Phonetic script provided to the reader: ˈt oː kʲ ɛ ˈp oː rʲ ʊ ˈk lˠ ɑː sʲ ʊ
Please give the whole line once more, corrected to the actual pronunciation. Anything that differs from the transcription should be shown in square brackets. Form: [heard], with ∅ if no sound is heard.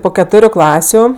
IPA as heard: [ˈp] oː kʲ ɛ [ˈt] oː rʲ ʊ ˈk lˠ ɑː sʲ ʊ